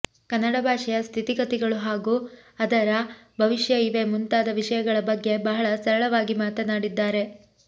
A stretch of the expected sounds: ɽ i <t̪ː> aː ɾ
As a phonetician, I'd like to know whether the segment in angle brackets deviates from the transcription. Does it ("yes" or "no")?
yes